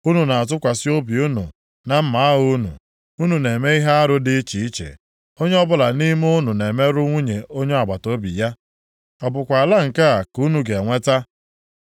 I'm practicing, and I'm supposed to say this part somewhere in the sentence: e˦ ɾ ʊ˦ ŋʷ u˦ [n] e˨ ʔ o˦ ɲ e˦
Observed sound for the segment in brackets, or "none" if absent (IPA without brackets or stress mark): ɲ